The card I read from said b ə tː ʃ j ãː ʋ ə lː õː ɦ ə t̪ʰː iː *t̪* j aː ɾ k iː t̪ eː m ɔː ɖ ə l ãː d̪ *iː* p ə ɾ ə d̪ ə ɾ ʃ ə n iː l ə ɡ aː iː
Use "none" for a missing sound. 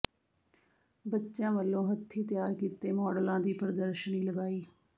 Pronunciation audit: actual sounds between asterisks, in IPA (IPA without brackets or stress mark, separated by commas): t̪, iː